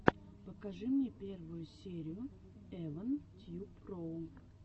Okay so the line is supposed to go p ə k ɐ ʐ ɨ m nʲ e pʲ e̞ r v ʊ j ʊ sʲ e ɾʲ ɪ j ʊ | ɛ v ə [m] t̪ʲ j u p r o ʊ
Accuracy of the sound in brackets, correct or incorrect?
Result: incorrect: n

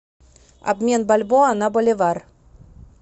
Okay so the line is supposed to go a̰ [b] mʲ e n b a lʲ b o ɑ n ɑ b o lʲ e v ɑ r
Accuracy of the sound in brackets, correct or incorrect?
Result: correct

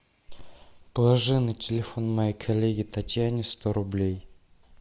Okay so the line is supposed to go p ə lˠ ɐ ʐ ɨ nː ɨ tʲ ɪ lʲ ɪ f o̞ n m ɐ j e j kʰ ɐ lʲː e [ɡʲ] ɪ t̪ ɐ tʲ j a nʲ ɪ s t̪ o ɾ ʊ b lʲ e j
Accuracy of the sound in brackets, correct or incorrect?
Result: correct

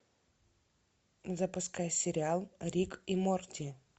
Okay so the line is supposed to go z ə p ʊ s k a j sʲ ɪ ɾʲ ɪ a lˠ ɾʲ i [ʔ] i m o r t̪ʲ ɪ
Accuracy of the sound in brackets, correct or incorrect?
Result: incorrect: k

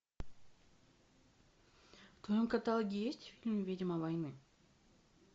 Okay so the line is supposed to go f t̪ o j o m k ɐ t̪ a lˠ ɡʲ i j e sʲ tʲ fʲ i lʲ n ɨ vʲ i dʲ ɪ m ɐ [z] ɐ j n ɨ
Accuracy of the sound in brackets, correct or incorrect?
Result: incorrect: v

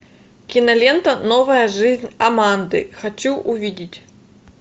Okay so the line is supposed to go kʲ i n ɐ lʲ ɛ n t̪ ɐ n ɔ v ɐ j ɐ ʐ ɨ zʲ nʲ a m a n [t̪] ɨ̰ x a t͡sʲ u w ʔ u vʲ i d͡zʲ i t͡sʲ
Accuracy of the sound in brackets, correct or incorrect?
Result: incorrect: d̪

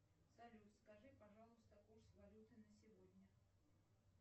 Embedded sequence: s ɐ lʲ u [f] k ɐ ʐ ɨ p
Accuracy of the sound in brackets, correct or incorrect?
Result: incorrect: s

